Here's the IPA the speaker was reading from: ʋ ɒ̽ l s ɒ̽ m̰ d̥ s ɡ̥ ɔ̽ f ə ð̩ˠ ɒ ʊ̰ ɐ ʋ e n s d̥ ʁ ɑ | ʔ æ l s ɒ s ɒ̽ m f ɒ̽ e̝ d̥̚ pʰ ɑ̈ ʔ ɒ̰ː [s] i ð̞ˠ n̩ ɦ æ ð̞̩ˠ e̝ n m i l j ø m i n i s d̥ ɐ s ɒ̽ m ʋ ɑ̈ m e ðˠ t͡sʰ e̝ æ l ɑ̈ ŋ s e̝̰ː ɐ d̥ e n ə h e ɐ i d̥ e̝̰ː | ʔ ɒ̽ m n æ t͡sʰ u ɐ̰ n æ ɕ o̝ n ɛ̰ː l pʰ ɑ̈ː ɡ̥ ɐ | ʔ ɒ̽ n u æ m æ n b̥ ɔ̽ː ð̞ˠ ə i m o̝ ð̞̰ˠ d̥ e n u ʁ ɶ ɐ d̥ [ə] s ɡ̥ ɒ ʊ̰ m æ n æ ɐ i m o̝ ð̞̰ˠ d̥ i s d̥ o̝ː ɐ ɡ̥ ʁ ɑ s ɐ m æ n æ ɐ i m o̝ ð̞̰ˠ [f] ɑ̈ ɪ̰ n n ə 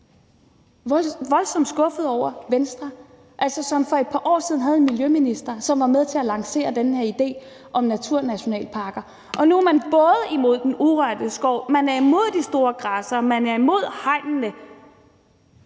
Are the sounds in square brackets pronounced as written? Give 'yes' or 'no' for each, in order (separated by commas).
yes, yes, no